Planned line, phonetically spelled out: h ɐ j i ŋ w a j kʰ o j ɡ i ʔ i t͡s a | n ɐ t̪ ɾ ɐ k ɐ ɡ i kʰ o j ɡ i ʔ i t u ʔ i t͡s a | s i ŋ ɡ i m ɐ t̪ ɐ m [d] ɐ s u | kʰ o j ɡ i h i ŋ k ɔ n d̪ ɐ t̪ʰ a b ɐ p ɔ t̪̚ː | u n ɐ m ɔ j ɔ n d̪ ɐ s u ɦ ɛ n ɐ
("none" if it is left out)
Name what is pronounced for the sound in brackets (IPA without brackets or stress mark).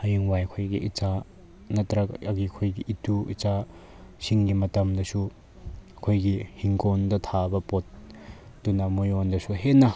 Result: d